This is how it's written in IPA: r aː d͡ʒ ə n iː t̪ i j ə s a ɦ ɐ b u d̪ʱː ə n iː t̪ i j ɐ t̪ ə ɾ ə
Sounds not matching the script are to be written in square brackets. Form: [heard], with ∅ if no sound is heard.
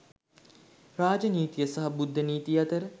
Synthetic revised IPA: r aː d͡ʒ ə n iː t̪ i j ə s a ɦ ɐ b u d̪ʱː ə n iː t̪ i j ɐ t̪ ə ɾ ə